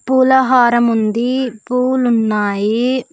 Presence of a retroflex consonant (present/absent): absent